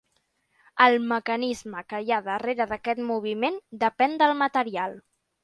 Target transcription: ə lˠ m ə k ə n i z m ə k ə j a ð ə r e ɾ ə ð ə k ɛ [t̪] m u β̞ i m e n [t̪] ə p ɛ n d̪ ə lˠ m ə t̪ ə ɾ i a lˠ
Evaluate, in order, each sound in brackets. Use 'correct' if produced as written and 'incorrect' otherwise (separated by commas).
correct, incorrect